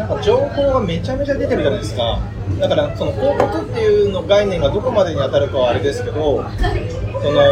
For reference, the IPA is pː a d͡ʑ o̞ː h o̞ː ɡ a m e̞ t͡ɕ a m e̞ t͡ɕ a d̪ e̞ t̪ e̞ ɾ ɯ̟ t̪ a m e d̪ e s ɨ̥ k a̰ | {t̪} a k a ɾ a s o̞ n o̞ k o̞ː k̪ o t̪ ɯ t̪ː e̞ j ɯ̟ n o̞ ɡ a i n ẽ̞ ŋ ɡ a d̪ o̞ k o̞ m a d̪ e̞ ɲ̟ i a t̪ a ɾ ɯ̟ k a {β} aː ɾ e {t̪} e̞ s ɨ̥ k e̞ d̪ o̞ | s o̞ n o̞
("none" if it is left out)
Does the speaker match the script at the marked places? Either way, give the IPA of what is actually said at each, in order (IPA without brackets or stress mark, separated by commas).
d̪, β, d̪